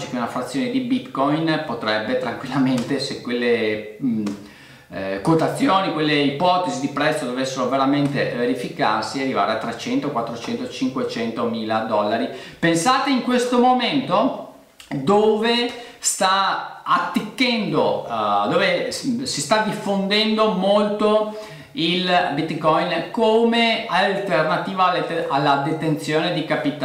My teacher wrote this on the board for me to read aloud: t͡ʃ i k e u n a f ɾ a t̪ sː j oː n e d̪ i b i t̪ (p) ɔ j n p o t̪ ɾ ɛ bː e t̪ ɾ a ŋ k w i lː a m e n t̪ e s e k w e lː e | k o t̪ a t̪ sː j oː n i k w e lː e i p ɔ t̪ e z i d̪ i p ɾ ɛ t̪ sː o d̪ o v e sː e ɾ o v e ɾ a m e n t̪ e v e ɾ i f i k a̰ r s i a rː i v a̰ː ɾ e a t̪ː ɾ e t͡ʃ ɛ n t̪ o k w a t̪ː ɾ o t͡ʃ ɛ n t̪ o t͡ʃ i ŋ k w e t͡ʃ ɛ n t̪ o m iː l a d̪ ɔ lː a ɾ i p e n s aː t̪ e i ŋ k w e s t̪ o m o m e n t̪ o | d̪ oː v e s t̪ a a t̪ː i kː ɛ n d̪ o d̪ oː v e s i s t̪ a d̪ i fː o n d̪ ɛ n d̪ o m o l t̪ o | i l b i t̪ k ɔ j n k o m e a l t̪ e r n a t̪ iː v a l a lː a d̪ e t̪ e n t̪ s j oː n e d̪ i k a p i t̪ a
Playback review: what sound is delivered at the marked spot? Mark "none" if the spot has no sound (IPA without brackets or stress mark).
k